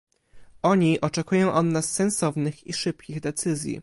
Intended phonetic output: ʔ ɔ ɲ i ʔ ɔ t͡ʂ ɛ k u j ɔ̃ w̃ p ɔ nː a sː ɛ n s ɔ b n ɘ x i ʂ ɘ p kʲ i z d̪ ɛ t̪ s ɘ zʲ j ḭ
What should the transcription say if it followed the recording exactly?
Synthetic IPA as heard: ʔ ɔ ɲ i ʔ ɔ t͡ʂ ɛ k u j ɔ̃ w̃ ʔ ɔ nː a sː ɛ n s ɔ v n ɘ x i ʂ ɘ p kʲ i ɣ d̪ ɛ t̪ s ɘ zʲ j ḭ